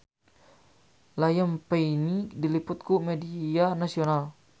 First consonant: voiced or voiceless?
voiced